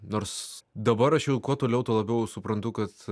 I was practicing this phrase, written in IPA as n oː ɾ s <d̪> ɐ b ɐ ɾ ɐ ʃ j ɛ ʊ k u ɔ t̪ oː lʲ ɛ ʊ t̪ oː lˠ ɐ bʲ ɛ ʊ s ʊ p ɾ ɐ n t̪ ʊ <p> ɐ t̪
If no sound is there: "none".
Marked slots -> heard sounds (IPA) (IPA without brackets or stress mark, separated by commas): d̪, k